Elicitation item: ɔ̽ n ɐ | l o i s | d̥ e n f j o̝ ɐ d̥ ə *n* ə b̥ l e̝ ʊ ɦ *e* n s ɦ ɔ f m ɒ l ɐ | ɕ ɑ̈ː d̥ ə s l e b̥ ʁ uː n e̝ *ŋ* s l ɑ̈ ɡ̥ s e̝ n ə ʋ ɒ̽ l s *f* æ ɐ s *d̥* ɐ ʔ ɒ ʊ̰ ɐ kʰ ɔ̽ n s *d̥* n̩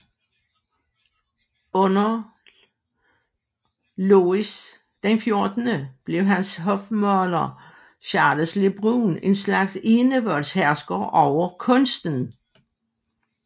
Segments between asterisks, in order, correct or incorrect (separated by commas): correct, incorrect, incorrect, incorrect, incorrect, correct